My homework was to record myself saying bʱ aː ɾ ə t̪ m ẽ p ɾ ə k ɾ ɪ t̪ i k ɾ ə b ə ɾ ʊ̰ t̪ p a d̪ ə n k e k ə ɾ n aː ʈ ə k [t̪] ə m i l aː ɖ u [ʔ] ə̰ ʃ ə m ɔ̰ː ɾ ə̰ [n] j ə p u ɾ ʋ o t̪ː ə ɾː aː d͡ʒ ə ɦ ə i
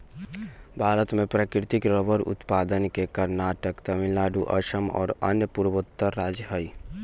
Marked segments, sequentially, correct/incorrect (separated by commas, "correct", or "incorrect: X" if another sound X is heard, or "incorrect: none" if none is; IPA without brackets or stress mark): correct, correct, correct